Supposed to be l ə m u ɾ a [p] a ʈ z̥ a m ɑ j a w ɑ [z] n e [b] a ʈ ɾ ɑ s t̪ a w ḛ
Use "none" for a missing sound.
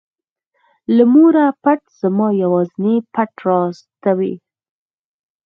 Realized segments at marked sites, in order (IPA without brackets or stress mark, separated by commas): p, z, p